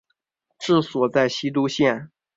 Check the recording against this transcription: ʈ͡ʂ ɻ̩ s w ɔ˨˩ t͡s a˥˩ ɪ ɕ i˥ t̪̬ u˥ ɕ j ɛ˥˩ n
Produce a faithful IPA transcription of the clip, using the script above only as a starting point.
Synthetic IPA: ʈ͡ʂ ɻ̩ s w ɔ˨˩ t͡s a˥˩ ɪ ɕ i˥ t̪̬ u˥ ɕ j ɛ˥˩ n